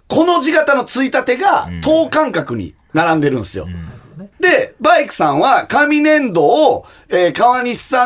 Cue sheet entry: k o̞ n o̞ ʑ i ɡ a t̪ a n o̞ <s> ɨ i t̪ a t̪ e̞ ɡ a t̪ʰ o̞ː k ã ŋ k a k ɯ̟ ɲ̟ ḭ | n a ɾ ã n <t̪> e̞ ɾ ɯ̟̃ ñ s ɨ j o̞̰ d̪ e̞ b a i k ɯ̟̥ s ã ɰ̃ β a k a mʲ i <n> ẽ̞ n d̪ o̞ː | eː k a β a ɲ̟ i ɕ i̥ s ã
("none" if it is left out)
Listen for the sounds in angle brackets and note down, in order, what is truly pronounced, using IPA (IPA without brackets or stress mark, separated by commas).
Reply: t͡s, d̪, n